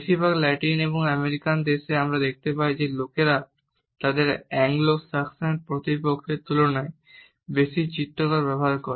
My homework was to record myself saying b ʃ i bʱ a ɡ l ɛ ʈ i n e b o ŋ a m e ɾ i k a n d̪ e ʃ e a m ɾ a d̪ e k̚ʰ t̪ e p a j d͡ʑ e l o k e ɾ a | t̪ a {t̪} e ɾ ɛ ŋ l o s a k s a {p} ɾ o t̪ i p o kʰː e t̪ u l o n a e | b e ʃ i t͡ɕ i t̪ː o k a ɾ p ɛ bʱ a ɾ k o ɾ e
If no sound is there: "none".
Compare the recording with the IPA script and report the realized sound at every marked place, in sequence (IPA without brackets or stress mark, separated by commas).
d̪, p